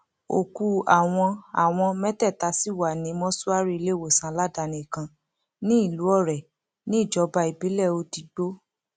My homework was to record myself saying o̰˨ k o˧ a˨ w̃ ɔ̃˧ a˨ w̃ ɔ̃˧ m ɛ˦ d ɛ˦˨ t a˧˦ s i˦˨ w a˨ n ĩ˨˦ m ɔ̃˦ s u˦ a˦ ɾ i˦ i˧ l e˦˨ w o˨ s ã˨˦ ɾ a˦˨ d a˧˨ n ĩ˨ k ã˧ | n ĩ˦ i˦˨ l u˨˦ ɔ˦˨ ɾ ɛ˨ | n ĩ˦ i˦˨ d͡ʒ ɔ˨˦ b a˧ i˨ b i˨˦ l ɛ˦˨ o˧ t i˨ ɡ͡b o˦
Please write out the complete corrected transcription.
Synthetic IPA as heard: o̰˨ k u˧ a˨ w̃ ɔ̃˧ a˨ w̃ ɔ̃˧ m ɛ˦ t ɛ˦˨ t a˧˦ s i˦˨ w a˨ n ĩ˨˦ m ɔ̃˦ s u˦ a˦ ɾ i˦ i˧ l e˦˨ w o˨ s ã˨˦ l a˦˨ d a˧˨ n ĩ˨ k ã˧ | n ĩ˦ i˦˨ l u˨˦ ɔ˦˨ ɾ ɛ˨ | n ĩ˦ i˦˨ d͡ʒ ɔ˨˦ b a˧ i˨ b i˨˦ l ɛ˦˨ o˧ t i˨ ɡ͡b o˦